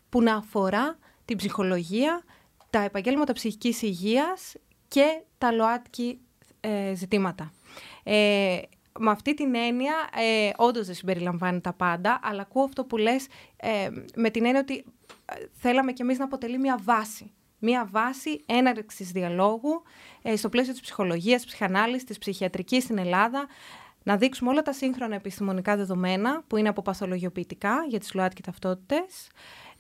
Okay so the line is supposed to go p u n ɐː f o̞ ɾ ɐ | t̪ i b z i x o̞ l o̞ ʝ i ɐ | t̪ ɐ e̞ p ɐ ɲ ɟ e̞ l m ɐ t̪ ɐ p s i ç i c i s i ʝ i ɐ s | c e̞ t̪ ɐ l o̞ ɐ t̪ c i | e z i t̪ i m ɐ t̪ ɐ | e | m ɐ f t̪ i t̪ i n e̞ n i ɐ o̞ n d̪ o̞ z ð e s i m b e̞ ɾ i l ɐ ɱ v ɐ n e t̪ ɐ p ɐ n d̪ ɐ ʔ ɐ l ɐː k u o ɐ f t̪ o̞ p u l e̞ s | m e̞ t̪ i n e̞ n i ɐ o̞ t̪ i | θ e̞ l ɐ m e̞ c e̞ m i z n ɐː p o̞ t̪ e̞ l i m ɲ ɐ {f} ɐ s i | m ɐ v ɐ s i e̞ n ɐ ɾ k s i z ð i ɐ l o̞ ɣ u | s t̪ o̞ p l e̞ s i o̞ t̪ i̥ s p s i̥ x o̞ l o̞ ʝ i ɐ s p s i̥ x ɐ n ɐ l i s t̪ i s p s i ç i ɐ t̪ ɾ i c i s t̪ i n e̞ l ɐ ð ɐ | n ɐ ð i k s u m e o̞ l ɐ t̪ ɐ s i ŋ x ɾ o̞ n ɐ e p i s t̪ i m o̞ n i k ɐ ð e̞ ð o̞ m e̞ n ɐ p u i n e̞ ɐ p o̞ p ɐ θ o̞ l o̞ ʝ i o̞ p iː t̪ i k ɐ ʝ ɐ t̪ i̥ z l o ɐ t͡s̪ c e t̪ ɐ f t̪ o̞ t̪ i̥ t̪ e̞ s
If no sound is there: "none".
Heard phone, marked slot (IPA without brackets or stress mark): v